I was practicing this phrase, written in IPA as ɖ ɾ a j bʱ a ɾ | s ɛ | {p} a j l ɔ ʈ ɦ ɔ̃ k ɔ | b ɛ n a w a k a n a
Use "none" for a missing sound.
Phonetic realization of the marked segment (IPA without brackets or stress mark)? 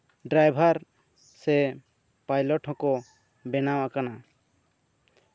p